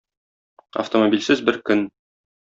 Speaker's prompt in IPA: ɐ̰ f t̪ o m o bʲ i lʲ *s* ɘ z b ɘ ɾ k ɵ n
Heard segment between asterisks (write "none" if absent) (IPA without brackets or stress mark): s